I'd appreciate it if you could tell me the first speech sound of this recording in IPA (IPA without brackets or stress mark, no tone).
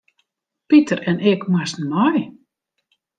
p